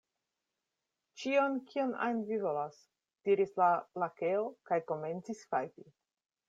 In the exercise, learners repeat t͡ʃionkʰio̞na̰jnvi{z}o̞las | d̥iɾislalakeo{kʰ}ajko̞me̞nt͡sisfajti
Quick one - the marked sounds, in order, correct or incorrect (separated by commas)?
incorrect, incorrect